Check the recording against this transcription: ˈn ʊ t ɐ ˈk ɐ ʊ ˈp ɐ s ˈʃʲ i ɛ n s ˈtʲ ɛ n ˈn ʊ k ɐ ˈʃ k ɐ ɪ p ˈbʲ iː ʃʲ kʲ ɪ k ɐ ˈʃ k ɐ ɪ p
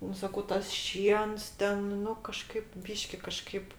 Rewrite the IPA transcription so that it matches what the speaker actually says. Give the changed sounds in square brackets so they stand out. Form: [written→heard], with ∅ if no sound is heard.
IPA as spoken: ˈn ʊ [t→s] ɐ ˈk ɐ ʊ [ˈp→ˈt] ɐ s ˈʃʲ i ɛ n s ˈtʲ ɛ n ˈn ʊ k ɐ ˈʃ k ɐ ɪ p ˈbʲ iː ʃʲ kʲ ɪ k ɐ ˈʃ k ɐ ɪ p